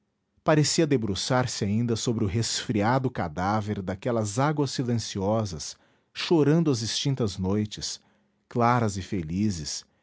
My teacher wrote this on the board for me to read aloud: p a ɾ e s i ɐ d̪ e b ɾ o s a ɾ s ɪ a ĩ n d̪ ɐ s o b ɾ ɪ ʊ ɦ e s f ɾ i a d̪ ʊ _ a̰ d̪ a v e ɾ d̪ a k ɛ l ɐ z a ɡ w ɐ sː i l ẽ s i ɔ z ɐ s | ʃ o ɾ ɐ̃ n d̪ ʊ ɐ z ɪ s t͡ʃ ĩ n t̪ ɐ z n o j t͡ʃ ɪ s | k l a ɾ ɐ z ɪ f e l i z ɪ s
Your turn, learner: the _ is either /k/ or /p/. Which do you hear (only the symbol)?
k